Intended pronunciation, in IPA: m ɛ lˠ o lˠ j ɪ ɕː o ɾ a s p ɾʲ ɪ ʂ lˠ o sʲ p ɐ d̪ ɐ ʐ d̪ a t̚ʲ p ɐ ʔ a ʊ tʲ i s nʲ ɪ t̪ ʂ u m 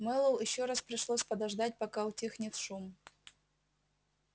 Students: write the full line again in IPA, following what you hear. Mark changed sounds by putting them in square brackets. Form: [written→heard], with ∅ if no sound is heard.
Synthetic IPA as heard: m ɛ lˠ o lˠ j ɪ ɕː o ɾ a s p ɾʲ ɪ ʂ lˠ o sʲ p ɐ d̪ ɐ ʐ d̪ a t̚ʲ p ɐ [ʔ→k] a ʊ tʲ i [s→x] nʲ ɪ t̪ ʂ u m